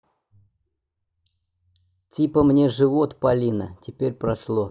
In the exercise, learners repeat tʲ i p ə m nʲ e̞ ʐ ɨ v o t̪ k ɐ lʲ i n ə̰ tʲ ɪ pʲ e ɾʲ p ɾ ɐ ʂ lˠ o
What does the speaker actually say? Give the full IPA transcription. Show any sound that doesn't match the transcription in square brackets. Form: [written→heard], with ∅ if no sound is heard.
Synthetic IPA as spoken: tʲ i p ə m nʲ e̞ ʐ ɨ v o t̪ [k→p] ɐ lʲ i n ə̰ tʲ ɪ pʲ e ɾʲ p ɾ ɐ ʂ lˠ o